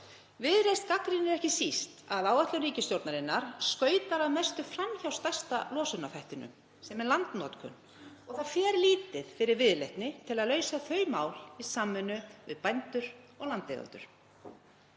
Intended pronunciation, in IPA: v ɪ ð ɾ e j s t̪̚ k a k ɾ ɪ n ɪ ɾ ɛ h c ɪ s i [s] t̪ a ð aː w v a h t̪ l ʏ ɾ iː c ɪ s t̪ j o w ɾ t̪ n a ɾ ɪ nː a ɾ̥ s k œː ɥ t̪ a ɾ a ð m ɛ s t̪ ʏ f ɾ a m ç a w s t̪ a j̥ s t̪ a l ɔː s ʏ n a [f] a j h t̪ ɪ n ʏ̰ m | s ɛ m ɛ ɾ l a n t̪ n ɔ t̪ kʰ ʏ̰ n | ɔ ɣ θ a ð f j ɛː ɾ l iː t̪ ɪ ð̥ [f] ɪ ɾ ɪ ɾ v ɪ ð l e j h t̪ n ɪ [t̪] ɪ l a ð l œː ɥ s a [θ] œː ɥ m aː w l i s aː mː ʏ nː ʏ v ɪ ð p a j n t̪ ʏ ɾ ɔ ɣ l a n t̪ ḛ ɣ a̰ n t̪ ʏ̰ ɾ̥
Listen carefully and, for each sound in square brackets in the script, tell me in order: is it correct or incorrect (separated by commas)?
correct, correct, correct, incorrect, correct